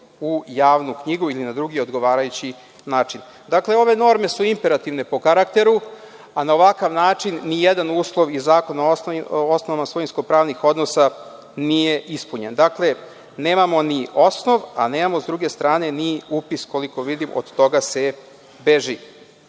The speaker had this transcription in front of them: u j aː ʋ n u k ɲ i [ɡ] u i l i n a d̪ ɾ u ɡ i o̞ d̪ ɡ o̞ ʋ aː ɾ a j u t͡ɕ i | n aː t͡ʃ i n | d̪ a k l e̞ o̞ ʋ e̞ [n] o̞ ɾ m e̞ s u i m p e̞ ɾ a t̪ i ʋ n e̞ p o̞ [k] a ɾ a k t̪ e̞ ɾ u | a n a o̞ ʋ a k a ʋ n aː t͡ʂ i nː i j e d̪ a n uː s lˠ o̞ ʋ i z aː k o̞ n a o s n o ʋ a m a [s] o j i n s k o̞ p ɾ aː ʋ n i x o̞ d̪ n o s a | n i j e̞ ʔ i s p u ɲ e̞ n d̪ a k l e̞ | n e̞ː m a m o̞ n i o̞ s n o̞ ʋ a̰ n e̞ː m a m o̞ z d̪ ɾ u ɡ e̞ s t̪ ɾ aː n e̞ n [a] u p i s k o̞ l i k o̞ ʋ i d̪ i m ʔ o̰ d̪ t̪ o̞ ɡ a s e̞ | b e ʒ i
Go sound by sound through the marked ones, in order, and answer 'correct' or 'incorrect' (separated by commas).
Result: correct, correct, correct, correct, incorrect